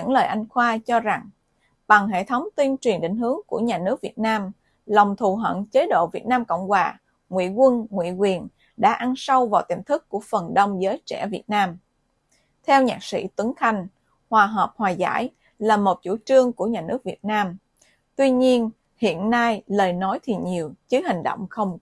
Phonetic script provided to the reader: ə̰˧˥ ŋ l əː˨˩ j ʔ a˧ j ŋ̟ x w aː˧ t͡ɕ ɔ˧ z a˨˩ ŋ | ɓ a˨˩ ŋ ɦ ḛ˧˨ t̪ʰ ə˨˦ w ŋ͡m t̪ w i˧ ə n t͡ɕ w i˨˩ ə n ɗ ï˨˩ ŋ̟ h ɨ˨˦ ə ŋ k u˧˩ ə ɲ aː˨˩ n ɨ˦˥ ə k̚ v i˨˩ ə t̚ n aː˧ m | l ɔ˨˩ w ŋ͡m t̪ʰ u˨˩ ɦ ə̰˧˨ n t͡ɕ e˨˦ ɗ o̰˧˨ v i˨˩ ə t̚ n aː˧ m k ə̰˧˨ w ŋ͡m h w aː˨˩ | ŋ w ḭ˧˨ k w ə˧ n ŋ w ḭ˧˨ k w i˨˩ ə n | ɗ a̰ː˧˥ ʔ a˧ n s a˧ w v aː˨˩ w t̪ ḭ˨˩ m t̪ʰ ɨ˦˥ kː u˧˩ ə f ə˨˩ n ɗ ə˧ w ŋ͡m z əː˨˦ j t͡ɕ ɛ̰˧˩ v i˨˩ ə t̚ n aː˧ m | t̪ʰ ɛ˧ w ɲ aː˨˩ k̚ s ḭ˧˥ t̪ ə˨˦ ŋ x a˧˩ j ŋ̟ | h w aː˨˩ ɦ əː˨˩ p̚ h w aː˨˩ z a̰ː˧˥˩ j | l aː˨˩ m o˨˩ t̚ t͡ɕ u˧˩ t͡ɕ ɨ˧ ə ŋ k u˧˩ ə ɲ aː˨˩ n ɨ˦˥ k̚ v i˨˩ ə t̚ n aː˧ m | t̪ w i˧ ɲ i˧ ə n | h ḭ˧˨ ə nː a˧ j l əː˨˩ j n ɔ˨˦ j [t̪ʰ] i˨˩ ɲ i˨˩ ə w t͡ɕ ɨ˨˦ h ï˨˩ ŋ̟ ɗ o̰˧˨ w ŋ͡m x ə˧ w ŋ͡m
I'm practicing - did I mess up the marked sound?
no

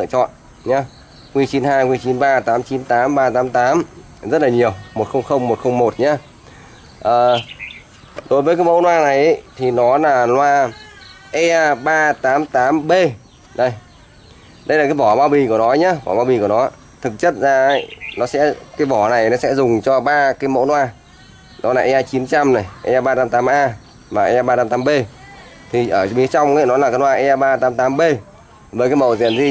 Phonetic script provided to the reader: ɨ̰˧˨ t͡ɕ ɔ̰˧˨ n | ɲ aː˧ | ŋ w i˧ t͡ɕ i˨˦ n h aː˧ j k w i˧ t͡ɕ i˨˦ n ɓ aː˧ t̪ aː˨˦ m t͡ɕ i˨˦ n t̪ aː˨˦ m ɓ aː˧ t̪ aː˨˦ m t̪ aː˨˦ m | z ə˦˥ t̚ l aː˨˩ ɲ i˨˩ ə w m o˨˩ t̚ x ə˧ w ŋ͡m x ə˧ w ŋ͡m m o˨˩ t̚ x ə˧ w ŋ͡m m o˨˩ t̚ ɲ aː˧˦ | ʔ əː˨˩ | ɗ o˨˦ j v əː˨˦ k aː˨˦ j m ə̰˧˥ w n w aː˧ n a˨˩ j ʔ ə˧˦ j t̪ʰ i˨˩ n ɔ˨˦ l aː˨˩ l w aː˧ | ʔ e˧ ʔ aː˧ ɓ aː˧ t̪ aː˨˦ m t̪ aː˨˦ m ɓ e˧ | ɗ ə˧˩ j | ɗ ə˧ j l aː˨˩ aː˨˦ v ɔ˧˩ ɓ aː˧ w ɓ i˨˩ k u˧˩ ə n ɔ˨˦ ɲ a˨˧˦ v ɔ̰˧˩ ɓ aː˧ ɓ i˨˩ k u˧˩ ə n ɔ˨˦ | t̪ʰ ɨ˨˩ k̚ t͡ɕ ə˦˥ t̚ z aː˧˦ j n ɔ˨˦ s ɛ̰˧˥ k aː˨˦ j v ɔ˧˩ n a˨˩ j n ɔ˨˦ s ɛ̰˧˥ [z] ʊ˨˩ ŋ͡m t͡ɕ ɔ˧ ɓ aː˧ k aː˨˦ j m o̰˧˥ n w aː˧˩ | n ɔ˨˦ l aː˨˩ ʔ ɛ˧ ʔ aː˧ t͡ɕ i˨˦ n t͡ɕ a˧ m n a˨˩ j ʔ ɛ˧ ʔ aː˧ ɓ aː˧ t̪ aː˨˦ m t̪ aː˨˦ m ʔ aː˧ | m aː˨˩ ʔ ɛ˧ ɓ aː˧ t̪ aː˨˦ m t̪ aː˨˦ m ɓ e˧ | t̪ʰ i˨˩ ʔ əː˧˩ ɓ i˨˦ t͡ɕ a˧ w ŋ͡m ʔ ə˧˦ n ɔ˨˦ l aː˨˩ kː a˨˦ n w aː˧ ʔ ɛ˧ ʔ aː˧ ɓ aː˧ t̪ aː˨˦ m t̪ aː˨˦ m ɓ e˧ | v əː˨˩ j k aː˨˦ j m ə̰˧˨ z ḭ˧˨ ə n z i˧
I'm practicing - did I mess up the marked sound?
no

